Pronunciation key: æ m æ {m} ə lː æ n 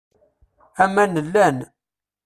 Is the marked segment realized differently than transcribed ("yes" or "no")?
yes